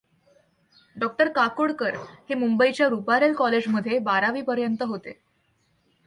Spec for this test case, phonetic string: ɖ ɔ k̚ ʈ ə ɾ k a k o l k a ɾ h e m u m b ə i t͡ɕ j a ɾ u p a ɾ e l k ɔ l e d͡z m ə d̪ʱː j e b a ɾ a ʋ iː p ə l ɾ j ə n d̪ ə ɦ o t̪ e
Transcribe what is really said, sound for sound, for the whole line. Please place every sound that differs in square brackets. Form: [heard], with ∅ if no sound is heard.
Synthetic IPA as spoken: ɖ ɔ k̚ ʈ ə ɾ k a k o [ɽ] k [ə] ɾ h e m u m b ə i t͡ɕ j a ɾ u p a ɾ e l k ɔ l e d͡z m ə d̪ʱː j e b a ɾ a ʋ iː p ə [∅] ɾ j ə n [t̪] ə ɦ o t̪ e